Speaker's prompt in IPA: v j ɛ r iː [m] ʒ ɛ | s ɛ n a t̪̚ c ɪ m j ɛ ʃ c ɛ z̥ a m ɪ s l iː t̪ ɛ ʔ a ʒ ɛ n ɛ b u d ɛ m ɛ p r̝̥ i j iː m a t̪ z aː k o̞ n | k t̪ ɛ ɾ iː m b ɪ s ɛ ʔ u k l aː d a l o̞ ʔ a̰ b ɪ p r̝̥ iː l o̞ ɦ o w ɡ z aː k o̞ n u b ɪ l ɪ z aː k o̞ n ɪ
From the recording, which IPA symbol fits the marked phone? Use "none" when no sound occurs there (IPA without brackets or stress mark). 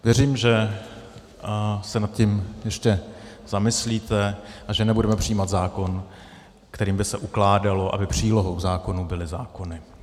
m